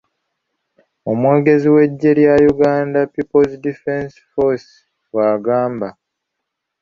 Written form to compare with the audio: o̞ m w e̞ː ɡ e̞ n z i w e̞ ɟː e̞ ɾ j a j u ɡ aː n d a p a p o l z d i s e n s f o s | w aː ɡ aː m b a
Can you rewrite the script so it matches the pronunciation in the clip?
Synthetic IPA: o̞ m w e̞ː ɡ e̞ z i w e̞ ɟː e̞ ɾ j a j u ɡ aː n d a p i p o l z d i f e n s f o s | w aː ɡ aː m b a

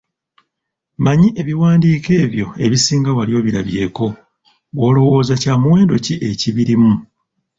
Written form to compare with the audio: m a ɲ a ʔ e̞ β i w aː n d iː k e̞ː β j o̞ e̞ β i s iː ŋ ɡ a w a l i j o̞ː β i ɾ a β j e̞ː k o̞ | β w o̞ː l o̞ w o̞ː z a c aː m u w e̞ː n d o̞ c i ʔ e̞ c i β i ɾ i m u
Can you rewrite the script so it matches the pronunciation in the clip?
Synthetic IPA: m a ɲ i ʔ e̞ β i w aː n d iː k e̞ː β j o̞ e̞ β i s iː ŋ ɡ a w a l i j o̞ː β i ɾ a β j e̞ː k o̞ | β w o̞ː l o̞ w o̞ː z a c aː m u w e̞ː n d o̞ c i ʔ e̞ c i β i ɾ i m u

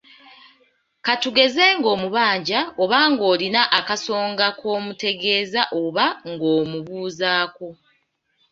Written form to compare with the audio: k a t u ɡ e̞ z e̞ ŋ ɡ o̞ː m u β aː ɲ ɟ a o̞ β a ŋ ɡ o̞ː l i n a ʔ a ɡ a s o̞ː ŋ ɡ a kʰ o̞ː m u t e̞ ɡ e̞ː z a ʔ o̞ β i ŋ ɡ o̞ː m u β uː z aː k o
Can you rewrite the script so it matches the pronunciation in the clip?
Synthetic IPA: k a t u ɡ e̞ z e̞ ŋ ɡ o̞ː m u β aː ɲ ɟ a o̞ β a ŋ ɡ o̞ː l i n a ʔ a k a s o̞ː ŋ ɡ a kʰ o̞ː m u t e̞ ɡ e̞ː z a ʔ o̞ β a ŋ ɡ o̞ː m u β uː z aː k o

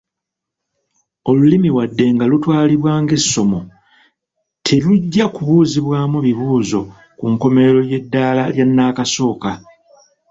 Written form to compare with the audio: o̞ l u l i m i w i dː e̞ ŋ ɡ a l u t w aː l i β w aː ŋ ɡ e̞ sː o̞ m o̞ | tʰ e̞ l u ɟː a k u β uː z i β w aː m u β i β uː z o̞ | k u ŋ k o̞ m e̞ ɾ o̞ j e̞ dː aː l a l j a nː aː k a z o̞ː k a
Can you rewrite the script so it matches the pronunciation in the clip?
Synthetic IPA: o̞ l u l i m i w a dː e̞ ŋ ɡ a l u t w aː l i β w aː ŋ ɡ e̞ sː o̞ m o̞ | tʰ e̞ l u ɟː a k u β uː z i β w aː m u β i β uː z o̞ | k u ŋ k o̞ m e̞ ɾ o̞ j e̞ dː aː l a l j a nː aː k a s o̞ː k a

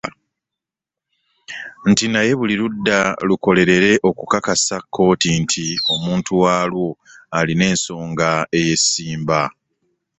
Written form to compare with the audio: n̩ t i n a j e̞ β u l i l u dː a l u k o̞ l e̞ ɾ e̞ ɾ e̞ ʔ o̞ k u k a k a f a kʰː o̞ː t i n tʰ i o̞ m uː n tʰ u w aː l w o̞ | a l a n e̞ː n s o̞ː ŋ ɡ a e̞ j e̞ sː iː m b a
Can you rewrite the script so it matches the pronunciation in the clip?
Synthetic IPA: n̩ t i n a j e̞ β u l i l u dː a l u k o̞ l e̞ ɾ e̞ ɾ e̞ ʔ o̞ k u k a k a s a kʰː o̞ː t i n tʰ i o̞ m uː n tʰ u w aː l w o̞ | a l i n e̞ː n s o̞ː ŋ ɡ a e̞ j e̞ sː iː m b a

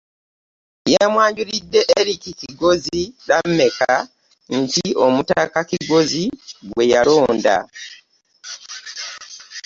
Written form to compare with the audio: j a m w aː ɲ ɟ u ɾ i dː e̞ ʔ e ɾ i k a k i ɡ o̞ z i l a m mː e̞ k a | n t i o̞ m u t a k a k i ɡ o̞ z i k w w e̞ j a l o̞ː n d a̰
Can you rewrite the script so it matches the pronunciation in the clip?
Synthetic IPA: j a m w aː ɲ ɟ u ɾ i dː e̞ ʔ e ɾ i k i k i ɡ o̞ z i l a m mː e̞ k a | n t i o̞ m u t a k a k i ɡ o̞ z i ɡ w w e̞ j a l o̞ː n d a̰

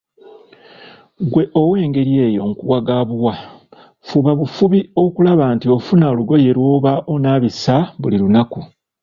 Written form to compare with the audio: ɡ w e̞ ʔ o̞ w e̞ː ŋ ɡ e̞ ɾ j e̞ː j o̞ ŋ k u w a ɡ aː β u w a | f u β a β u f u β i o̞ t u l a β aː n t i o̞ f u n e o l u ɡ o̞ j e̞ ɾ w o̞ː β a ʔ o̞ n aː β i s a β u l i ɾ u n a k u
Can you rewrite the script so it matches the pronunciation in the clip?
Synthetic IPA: ɡ w e̞ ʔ o̞ w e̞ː ŋ ɡ e̞ ɾ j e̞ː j o̞ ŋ k u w a ɡ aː β u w a | f u β a β u f u β i o̞ k u l a β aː n t i o̞ f u n a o l u ɡ o̞ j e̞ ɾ w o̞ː β a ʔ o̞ n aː β i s a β u l i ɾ u n a k u

